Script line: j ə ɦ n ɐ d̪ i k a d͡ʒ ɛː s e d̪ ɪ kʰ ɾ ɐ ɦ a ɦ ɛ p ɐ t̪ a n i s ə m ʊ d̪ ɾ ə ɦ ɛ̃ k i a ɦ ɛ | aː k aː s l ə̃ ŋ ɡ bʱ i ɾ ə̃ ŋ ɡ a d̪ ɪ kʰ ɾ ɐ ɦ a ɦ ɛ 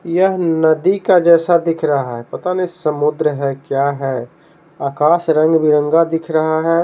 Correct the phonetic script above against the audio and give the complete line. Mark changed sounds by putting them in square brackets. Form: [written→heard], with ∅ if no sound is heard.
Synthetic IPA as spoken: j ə ɦ n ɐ d̪ i k a d͡ʒ ɛː s [e→a] d̪ ɪ kʰ ɾ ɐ ɦ a ɦ ɛ p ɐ t̪ a n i s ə m ʊ d̪ ɾ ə ɦ [ɛ̃→ɛ] k [i→j] a ɦ ɛ | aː k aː s [l→ɾ] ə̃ ŋ ɡ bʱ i ɾ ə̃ ŋ ɡ a d̪ ɪ kʰ ɾ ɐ ɦ a ɦ ɛ